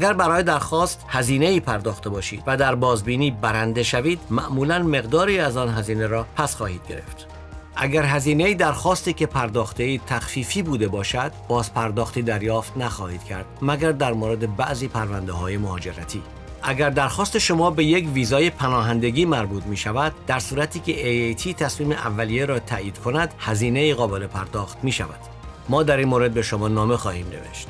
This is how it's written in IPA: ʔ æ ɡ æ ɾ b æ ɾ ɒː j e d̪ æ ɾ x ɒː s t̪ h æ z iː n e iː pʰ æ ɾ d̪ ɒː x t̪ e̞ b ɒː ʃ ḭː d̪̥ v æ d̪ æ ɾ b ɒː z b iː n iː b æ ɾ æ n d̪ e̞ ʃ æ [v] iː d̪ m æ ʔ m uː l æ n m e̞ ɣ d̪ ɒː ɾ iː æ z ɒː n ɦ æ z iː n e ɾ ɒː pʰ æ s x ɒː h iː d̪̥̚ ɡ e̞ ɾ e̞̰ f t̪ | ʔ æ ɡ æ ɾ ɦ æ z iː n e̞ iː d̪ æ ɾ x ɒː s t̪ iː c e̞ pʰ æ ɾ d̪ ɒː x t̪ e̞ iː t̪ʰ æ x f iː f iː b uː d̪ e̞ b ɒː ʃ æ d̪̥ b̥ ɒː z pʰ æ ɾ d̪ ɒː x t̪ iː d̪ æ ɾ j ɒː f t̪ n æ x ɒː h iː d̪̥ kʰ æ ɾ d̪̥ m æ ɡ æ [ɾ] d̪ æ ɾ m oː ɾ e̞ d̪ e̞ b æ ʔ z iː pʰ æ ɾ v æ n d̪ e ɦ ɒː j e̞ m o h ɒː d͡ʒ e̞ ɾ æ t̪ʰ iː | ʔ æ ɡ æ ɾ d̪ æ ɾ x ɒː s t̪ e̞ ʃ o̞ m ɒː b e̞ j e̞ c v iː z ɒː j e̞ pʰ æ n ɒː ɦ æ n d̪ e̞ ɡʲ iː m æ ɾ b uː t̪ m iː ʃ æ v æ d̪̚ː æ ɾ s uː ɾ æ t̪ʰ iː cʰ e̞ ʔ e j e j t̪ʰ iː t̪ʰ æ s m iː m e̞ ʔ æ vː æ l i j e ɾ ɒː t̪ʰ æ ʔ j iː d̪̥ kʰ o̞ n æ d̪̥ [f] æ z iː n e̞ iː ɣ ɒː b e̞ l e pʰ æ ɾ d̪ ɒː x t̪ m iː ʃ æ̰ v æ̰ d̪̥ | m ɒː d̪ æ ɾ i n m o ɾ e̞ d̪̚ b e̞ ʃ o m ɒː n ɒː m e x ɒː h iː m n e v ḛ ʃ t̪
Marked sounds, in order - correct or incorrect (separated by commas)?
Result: correct, correct, incorrect